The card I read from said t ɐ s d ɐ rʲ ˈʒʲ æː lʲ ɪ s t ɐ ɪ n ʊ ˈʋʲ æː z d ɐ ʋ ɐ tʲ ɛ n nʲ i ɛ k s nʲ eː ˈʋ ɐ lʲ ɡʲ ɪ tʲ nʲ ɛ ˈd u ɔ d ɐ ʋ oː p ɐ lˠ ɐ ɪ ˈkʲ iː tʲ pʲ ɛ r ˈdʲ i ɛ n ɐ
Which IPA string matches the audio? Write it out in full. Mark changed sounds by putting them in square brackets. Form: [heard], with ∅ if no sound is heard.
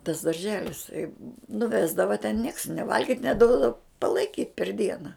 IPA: t ɐ s d ɐ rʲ ˈʒʲ æː lʲ ɪ s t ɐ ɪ n ʊ ˈʋʲ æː z d ɐ ʋ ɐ tʲ ɛ n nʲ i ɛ k s nʲ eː ˈʋ ɐ lʲ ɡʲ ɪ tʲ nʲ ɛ ˈd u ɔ d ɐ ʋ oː p ɐ lˠ ɐ ɪ ˈkʲ iː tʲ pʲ ɛ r ˈdʲ i ɛ n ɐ

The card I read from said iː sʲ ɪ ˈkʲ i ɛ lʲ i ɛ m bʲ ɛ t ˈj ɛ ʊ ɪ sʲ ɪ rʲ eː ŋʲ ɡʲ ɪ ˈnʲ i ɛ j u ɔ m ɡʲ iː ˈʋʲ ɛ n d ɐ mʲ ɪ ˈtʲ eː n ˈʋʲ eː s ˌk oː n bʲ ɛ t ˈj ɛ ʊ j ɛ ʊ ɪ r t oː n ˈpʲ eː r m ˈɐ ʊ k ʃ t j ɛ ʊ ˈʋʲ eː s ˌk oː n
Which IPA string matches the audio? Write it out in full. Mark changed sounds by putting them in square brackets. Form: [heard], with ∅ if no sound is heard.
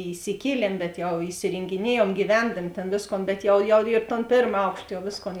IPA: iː sʲ ɪ ˈkʲ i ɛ lʲ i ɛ m bʲ ɛ t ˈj ɛ ʊ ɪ sʲ ɪ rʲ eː ŋʲ ɡʲ ɪ ˈnʲ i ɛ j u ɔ m ɡʲ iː ˈʋʲ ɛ n d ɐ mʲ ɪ ˈtʲ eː n ˈʋʲ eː s ˌk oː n bʲ ɛ t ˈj ɛ ʊ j ɛ ʊ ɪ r t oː n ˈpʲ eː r m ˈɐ ʊ k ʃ t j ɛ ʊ ˈʋʲ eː s ˌk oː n

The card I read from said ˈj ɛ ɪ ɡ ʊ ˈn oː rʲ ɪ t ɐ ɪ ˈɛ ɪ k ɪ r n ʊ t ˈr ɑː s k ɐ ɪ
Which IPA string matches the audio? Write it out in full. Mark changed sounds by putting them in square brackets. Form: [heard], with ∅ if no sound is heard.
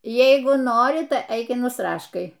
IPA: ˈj ɛ ɪ ɡ ʊ ˈn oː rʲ ɪ t ɐ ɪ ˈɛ ɪ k ɪ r n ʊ [s] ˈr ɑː [ʃ] k ɐ ɪ

